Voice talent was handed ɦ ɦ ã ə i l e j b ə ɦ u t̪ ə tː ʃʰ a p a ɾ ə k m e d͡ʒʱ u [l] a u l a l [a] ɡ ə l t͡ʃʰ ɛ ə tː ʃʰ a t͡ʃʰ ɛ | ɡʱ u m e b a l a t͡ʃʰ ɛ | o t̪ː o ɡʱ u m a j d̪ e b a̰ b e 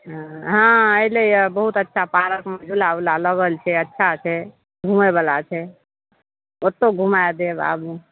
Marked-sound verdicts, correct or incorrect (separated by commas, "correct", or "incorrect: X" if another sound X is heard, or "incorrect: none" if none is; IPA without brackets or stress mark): correct, incorrect: ə